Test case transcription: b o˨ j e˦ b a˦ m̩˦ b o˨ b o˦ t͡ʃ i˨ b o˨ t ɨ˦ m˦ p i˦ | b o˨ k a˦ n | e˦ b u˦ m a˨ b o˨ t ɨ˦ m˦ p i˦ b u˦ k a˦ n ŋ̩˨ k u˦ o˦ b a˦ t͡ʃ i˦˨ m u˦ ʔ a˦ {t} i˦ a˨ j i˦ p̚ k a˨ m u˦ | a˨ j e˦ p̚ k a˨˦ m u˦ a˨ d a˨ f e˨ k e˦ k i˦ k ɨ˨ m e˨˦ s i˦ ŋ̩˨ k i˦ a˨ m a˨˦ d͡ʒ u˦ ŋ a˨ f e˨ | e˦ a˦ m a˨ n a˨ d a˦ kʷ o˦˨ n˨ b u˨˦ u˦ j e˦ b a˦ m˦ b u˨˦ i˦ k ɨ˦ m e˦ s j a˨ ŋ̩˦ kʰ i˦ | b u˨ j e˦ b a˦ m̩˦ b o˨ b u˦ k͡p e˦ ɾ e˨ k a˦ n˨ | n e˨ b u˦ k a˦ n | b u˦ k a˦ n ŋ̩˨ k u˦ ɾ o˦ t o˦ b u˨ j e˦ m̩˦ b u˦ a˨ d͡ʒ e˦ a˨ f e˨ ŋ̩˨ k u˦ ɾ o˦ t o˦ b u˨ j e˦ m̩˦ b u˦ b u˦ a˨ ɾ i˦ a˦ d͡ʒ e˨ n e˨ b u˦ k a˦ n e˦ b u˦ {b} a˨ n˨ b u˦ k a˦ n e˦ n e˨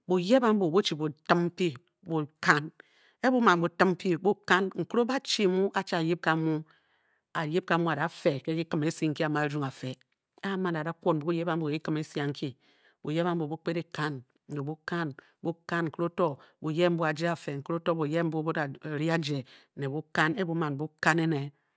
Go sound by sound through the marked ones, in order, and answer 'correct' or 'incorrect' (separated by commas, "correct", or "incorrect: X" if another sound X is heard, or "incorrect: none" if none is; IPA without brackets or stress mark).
incorrect: t͡ʃ, incorrect: m